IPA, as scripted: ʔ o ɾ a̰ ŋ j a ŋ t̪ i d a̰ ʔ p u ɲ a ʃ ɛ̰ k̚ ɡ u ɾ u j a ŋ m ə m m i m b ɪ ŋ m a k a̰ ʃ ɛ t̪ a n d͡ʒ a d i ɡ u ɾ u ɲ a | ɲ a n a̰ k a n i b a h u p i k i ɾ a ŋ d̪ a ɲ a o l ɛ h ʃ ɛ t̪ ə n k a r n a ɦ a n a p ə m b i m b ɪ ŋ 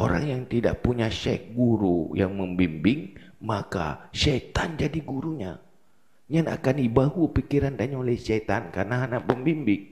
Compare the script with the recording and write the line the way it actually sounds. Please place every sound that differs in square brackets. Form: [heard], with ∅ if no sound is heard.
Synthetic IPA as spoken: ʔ o ɾ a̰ ŋ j a ŋ t̪ i d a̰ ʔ p u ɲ a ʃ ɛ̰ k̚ ɡ u ɾ u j a ŋ m ə m [b] i m b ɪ ŋ m a k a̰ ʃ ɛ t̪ a n d͡ʒ a d i ɡ u ɾ u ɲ a | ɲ a n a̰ k a n i b a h u p i k i ɾ a [n] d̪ a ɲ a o l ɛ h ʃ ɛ t̪ [a] n k a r n a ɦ a n a p ə m b i m b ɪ ŋ